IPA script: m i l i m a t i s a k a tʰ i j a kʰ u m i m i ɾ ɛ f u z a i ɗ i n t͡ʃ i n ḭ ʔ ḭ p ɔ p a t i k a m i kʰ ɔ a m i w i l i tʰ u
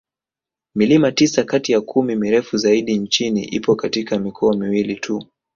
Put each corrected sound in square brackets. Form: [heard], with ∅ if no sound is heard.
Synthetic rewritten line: m i l i m a t i s a k a [t] i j a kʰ u m i m i ɾ ɛ f u z a i ɗ i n t͡ʃ i n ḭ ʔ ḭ p ɔ [k] a t i k a m i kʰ ɔ a m i w i l i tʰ u